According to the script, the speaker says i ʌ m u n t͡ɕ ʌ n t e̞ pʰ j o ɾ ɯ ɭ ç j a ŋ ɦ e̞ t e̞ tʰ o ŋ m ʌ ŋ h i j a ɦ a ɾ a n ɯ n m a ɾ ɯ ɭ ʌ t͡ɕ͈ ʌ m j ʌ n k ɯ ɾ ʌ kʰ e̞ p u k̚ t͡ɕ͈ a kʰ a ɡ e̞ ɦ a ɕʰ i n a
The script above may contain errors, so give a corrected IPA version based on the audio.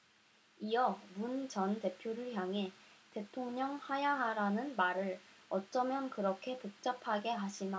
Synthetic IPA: i ʌ m u n t͡ɕ ʌ n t e̞ pʰ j o ɾ ɯ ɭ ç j a ŋ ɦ e̞ t e̞ tʰ o ŋ ɲ ʌ ŋ h a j a ɦ a ɾ a n ɯ n m a ɾ ɯ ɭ ʌ t͡ɕ͈ ʌ m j ʌ n k ɯ ɾ ʌ kʰ e̞ p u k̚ t͡ɕ͈ a pʰ a ɡ e̞ ɦ a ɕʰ i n a